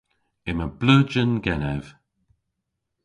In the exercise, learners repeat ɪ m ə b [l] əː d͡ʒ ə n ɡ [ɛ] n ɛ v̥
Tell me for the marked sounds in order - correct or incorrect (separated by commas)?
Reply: correct, correct